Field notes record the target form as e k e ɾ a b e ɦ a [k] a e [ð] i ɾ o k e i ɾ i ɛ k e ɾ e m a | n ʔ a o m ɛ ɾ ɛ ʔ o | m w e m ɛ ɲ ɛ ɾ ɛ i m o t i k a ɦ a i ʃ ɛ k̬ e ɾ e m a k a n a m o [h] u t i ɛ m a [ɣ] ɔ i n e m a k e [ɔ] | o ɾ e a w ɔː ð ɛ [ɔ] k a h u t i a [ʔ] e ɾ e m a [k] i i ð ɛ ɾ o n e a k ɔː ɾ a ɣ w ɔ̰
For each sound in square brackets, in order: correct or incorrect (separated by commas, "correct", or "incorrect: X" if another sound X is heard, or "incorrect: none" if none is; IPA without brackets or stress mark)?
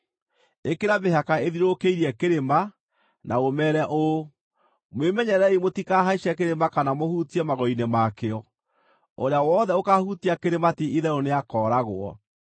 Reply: correct, correct, correct, correct, correct, incorrect: o, incorrect: k, incorrect: t